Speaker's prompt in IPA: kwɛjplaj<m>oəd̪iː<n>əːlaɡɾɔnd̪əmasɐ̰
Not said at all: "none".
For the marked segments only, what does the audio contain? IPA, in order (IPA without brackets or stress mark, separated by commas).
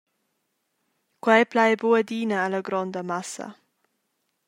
b, n